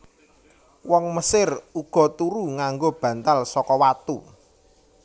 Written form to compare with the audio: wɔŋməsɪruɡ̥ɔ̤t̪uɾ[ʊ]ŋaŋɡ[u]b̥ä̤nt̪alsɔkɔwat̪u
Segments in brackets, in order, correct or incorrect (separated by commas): incorrect, incorrect